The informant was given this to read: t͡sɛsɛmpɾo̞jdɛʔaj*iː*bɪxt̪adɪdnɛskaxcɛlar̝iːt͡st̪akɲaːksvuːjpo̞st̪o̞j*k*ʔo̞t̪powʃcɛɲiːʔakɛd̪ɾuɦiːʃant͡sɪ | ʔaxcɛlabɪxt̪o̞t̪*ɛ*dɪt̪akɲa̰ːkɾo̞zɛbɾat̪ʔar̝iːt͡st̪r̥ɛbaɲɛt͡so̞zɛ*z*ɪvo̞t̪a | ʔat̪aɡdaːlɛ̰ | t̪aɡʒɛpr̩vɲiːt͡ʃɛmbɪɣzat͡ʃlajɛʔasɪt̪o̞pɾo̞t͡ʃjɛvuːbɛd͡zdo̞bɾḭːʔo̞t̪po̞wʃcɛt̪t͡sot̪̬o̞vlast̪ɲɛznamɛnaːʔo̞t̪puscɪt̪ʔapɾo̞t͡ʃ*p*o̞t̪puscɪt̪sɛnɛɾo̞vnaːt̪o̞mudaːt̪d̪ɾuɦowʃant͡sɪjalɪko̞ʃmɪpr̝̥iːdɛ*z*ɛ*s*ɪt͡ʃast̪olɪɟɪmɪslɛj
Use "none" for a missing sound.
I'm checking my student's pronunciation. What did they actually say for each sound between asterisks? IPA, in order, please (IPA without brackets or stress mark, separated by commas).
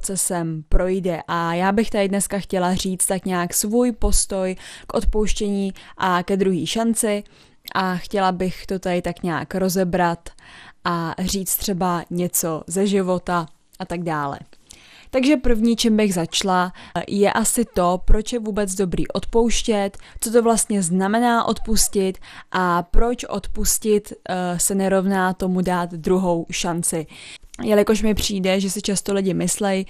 aː, k, a, ʒ, ʔ, ʒ, s